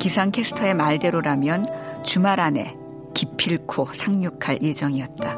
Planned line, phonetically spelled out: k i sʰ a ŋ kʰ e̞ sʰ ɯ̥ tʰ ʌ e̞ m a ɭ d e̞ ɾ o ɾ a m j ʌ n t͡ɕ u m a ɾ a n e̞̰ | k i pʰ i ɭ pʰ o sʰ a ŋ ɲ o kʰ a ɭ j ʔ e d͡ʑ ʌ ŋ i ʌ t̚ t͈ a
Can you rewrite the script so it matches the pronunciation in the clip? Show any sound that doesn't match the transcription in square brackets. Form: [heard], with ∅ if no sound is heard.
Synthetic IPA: k i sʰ a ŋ kʰ e̞ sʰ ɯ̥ tʰ ʌ e̞ m a ɭ d e̞ ɾ o ɾ a m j ʌ n t͡ɕ u m a ɾ a n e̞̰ | k i pʰ i ɭ [kʰ] o sʰ a ŋ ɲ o kʰ a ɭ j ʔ e d͡ʑ ʌ ŋ i ʌ t̚ t͈ a